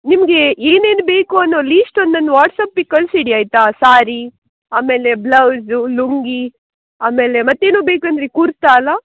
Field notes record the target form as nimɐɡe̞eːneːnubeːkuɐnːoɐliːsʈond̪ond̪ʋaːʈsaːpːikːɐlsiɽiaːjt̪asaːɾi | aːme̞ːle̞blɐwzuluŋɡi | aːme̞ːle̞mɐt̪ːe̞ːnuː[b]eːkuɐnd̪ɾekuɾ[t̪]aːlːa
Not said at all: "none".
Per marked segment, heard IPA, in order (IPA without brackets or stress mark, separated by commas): b, t̪